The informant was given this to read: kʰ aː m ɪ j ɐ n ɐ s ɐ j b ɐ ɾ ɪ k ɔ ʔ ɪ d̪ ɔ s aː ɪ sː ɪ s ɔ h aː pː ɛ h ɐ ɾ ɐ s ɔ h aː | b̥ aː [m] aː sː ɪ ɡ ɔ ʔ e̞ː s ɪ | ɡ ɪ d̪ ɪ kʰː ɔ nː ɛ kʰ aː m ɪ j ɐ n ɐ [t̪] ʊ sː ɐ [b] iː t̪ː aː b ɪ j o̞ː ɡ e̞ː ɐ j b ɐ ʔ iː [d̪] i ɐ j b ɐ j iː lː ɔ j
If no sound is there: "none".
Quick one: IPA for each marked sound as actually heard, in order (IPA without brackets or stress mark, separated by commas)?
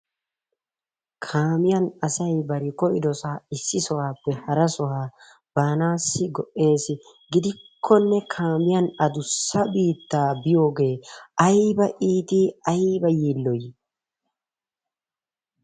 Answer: n, d̪, b, t̪